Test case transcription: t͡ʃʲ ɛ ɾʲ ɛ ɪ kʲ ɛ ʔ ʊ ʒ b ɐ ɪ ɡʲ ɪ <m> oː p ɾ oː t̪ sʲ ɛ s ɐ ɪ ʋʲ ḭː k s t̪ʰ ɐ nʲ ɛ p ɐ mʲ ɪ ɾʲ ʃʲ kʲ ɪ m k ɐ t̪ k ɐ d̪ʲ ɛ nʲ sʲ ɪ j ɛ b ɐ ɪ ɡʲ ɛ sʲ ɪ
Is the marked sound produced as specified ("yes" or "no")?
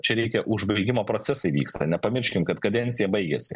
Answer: yes